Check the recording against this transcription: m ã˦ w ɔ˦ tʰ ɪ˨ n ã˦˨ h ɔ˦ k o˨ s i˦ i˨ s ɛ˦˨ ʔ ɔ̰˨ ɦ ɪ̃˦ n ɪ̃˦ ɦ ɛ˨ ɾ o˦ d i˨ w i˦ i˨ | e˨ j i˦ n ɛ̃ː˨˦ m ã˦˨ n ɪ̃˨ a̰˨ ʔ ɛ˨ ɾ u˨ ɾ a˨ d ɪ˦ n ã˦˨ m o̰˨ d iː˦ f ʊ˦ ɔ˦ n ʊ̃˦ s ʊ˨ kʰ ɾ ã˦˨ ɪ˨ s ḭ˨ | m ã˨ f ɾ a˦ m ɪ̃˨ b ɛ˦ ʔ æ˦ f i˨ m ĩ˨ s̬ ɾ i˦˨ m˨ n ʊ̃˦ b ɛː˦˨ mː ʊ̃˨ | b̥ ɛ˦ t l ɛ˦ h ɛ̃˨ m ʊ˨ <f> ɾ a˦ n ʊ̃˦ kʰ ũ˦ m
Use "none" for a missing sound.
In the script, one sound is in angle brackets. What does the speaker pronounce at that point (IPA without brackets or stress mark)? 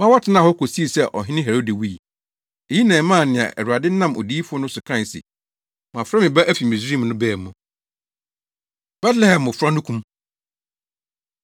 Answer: f